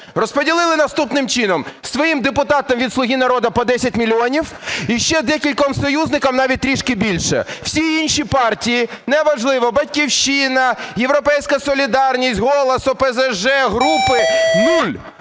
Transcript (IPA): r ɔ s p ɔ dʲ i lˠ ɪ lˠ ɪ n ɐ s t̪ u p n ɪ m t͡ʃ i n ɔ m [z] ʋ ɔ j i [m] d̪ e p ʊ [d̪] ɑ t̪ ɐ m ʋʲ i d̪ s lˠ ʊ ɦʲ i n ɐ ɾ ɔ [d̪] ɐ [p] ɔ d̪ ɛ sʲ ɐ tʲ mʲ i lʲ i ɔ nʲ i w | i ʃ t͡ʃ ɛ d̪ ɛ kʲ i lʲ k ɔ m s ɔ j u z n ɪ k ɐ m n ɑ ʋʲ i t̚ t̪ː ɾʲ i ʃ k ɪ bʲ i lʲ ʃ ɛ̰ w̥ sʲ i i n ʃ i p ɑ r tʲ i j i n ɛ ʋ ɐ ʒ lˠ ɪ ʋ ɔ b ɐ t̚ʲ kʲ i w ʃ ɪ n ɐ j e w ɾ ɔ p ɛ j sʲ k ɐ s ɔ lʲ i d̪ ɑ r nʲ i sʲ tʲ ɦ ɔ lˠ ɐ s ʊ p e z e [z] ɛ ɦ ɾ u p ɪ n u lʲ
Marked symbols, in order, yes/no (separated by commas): no, yes, no, yes, yes, no